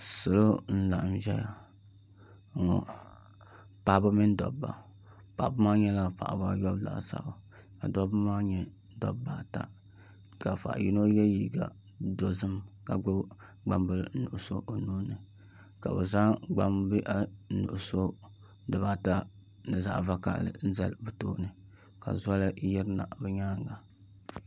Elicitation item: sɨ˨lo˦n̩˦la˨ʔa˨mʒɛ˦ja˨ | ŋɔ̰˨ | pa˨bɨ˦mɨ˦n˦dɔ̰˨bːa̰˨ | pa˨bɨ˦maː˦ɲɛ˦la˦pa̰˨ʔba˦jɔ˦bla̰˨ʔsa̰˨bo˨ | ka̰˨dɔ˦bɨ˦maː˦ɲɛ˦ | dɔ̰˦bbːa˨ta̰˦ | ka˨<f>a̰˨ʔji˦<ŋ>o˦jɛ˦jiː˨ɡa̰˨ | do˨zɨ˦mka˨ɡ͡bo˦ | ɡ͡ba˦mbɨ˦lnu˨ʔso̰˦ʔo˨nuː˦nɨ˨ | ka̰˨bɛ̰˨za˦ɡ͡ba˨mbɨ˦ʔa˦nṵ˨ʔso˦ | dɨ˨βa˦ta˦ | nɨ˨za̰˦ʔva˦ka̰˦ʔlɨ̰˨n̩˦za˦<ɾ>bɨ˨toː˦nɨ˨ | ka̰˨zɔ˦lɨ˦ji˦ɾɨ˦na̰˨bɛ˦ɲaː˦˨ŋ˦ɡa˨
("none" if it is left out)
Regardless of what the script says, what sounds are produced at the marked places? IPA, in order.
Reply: f, n, l

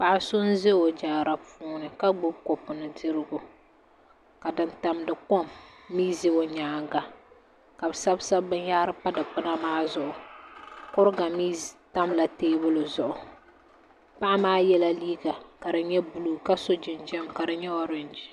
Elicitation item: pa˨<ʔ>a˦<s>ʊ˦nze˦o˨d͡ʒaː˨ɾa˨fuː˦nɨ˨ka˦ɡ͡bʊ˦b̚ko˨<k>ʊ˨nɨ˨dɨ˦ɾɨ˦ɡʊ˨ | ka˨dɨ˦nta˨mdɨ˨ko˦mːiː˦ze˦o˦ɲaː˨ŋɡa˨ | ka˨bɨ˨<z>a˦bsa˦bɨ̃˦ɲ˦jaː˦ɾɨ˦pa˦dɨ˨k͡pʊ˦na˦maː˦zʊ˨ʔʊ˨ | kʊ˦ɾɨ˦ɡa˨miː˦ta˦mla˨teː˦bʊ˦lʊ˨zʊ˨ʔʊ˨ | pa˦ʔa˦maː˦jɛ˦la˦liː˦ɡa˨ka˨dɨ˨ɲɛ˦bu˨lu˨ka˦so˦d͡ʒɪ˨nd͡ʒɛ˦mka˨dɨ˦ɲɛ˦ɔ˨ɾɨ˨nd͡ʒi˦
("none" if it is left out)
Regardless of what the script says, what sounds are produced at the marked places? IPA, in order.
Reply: ʔ, s, p, s

